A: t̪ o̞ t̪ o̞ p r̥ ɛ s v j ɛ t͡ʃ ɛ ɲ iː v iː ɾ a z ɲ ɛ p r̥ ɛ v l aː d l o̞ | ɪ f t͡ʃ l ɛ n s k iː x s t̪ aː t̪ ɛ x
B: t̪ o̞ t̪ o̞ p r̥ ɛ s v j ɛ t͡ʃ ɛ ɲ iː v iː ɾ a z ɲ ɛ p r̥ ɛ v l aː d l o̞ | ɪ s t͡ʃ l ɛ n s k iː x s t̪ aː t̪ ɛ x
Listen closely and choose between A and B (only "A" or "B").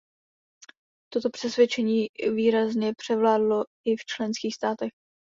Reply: A